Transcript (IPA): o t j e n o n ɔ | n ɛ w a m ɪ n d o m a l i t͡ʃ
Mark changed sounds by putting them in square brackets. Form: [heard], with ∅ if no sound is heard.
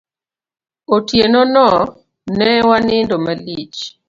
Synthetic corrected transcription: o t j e n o n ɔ | n ɛ w a [n] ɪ n d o m a l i t͡ʃ